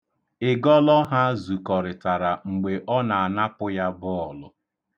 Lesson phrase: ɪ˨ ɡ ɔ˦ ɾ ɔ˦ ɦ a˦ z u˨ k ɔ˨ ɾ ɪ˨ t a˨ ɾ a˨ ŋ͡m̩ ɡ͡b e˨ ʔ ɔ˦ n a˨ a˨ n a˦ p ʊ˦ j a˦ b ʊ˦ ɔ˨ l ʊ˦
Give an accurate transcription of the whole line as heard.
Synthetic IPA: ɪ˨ ɡ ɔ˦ l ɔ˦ ɦ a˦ z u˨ k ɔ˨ ɾ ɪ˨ t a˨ ɾ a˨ ŋ͡m̩ ɡ͡b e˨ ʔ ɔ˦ n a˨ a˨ n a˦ p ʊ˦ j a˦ b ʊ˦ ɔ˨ l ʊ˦